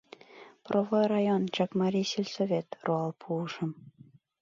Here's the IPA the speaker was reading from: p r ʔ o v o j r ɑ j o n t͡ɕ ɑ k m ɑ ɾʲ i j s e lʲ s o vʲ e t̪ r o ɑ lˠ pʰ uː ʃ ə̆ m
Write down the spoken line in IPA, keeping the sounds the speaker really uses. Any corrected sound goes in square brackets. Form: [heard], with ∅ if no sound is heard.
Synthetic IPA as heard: p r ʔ o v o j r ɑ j o n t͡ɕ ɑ k m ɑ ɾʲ i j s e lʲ s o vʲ e t̪ r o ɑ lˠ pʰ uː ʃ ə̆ m